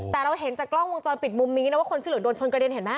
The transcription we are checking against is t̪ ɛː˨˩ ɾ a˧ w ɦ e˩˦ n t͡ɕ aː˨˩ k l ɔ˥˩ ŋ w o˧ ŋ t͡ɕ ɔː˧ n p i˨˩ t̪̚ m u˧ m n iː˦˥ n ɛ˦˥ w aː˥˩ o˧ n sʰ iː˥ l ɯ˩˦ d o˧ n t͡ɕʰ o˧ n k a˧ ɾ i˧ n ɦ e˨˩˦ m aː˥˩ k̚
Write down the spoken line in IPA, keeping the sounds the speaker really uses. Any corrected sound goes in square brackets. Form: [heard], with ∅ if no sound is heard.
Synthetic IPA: t̪ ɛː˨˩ ɾ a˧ w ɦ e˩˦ n t͡ɕ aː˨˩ k l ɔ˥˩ ŋ w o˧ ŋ t͡ɕ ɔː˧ n p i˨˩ t̪̚ m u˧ m n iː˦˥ n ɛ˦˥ w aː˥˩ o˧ n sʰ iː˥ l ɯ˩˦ d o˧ n t͡ɕʰ o˧ n k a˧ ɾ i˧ n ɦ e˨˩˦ m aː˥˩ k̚